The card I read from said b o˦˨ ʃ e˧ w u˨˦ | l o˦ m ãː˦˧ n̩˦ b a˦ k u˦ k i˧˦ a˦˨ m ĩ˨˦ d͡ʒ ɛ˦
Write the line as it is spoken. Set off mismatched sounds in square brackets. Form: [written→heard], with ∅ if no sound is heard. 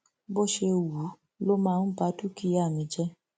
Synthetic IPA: b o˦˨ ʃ e˧ w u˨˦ | l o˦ m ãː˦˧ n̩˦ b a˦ [k→t] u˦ k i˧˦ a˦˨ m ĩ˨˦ d͡ʒ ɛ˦